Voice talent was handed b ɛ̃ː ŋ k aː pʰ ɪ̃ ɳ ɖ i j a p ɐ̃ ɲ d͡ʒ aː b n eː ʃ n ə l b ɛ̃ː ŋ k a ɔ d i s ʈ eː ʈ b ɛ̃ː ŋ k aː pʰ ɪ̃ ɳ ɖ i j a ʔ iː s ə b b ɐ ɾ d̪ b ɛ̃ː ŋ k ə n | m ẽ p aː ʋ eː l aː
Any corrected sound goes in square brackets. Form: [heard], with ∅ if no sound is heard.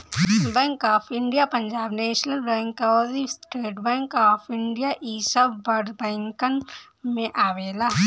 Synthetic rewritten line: b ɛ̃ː ŋ k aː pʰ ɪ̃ ɳ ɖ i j a p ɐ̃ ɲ d͡ʒ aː b n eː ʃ n ə l b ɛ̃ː ŋ k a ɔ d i s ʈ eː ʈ b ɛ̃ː ŋ k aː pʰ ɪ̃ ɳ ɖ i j a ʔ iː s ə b b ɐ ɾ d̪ b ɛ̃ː ŋ k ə n | m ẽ [ʔ] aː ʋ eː l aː